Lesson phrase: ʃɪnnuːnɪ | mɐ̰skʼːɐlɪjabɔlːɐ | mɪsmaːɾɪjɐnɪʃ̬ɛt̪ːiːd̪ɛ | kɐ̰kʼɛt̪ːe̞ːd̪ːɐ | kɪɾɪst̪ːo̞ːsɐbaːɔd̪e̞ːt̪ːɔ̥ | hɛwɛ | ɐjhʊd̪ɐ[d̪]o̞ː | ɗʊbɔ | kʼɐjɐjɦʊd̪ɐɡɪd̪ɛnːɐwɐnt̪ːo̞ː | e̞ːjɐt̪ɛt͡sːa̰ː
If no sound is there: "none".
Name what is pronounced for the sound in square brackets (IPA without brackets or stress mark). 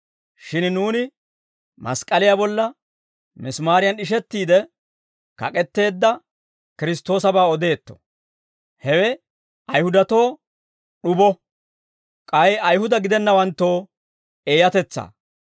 t̪